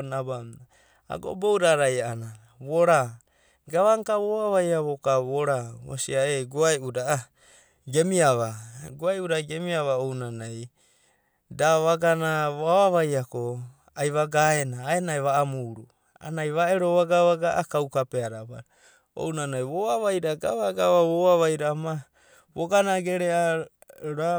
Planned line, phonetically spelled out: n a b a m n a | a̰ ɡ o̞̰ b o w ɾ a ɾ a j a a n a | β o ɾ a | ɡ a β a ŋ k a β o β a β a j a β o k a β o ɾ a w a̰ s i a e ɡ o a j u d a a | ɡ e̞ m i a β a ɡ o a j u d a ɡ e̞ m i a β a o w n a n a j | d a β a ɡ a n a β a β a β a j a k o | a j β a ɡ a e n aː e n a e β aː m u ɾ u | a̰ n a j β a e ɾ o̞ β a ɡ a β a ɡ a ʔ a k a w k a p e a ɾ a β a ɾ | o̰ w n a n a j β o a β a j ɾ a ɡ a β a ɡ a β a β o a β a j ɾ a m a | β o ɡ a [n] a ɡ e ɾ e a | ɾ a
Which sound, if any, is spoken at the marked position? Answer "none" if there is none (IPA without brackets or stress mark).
n